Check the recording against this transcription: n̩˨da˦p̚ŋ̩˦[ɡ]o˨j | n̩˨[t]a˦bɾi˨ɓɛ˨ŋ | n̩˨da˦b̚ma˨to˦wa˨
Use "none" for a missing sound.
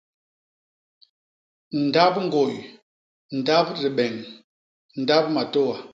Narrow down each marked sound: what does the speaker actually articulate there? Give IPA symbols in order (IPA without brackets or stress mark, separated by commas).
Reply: ɡ, d